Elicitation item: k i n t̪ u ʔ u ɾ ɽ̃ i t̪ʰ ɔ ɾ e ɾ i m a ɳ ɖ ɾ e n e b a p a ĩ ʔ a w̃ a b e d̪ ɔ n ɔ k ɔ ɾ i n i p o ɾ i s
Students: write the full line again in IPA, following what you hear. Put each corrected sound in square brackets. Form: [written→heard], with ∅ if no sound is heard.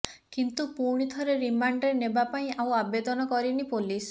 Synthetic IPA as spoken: k i n t̪ u [ʔ→p] u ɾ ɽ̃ i t̪ʰ ɔ ɾ e ɾ i m a ɳ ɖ ɾ e n e b a p a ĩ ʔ a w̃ a b e d̪ ɔ n ɔ k ɔ ɾ i n i p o [ɾ→l] i s